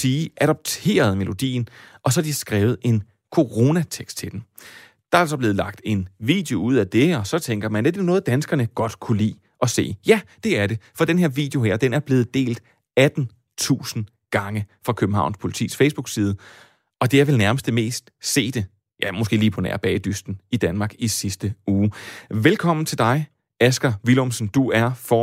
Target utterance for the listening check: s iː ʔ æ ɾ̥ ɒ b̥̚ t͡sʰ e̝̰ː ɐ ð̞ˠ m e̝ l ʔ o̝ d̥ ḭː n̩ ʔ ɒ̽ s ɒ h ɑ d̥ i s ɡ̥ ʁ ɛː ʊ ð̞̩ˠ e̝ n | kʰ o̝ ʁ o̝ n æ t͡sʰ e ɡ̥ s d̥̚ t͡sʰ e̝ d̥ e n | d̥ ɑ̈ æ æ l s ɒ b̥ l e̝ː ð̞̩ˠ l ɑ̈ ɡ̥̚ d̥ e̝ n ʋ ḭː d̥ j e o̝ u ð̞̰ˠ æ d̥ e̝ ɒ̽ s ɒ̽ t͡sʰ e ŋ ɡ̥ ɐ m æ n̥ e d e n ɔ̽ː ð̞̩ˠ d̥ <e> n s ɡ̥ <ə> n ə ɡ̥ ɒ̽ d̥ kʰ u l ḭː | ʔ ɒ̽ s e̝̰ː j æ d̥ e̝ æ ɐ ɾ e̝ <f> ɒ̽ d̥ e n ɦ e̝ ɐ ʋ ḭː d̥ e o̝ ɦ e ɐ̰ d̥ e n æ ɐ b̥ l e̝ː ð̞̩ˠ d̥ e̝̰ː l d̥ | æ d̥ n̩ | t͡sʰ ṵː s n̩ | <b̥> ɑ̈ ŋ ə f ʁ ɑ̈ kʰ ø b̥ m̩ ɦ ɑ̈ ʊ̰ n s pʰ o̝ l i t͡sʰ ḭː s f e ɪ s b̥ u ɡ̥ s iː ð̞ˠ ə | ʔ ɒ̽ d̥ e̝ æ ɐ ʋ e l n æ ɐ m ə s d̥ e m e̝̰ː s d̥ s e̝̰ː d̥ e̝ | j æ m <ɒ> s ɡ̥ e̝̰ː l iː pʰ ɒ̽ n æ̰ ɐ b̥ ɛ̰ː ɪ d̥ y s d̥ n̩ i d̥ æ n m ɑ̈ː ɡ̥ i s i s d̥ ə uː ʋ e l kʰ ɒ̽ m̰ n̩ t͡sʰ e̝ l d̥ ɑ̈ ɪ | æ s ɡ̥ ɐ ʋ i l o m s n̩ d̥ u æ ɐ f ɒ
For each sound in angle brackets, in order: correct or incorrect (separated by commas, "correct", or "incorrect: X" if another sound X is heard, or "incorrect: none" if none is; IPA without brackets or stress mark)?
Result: incorrect: æ, incorrect: ɐ, correct, incorrect: ɡ̥, incorrect: o